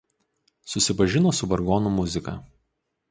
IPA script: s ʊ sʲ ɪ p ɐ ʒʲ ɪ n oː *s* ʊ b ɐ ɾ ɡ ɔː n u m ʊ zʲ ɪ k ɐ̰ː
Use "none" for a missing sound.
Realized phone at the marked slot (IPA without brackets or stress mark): s